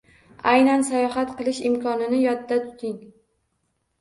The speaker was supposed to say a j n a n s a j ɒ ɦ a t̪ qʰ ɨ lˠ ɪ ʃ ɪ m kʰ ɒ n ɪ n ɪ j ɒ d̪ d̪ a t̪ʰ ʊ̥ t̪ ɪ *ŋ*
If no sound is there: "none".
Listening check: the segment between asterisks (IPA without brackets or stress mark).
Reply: ŋ